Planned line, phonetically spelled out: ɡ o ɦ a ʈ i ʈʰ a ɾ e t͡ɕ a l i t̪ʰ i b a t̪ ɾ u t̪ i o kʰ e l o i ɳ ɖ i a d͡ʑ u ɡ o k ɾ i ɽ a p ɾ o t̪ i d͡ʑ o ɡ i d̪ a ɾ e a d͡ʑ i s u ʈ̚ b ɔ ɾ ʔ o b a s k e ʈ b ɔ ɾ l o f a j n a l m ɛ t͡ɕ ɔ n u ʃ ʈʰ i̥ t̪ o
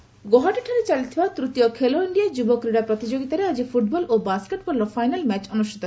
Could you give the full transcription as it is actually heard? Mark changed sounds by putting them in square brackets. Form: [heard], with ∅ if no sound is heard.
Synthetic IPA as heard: ɡ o ɦ a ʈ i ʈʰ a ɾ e t͡ɕ a l i t̪ʰ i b a t̪ ɾ u t̪ i o kʰ e l o i ɳ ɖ i a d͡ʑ u [b] o k ɾ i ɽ a p ɾ o t̪ i d͡ʑ o ɡ i [t̪] a ɾ e a d͡ʑ i [f] u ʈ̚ b ɔ [l] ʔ o b a s k e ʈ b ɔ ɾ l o f a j n a l m ɛ t͡ɕ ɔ n u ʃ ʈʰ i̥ t̪ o